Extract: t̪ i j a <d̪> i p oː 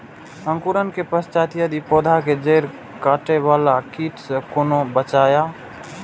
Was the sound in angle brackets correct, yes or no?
yes